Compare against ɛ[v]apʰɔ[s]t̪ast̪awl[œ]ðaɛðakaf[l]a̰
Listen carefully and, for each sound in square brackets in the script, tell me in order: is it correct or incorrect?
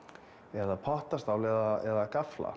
incorrect: ð, incorrect: h, incorrect: ɛ, correct

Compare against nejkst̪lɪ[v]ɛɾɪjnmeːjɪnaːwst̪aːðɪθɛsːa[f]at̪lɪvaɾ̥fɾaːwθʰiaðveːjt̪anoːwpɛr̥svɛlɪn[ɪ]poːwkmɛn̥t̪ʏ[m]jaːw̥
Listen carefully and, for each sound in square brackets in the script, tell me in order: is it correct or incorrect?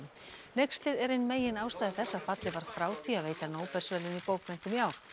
incorrect: ð, correct, incorrect: i, correct

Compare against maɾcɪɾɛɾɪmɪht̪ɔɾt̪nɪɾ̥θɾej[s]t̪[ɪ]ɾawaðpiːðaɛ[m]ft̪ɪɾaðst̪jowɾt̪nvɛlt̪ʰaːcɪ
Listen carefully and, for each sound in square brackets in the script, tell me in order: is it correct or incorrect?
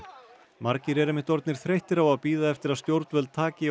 incorrect: h, correct, incorrect: none

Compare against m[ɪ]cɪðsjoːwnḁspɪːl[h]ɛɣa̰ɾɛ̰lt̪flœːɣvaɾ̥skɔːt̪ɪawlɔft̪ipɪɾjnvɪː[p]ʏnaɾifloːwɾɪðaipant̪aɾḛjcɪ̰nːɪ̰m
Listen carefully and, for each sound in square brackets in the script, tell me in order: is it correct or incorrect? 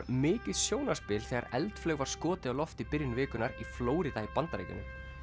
incorrect: ɪː, incorrect: θ, incorrect: k

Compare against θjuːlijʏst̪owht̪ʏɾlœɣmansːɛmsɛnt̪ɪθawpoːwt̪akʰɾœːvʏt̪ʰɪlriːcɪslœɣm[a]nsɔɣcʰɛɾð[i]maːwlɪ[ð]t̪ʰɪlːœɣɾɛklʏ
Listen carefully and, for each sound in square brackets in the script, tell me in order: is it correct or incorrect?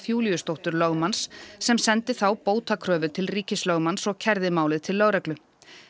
correct, incorrect: ɪ, correct

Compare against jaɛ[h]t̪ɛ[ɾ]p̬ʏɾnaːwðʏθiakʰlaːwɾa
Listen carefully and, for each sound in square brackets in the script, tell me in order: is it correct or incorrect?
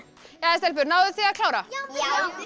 incorrect: s, incorrect: l

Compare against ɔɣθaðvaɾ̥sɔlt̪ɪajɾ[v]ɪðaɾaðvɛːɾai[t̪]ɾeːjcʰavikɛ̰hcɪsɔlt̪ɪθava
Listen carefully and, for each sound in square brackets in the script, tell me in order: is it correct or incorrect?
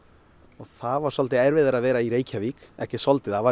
correct, incorrect: none

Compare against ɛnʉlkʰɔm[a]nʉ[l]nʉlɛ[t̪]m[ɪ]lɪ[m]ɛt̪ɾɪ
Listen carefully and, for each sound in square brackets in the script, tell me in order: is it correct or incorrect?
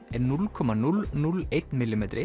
incorrect: ɑ, correct, correct, correct, correct

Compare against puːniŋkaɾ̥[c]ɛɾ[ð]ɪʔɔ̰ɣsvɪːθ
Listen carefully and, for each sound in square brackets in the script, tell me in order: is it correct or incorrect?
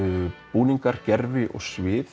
correct, incorrect: v

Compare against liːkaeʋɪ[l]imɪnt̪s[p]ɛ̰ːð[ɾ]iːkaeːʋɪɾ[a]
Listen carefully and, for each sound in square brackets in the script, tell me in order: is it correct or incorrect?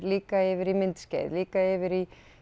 incorrect: ɾ, incorrect: c, incorrect: l, incorrect: i

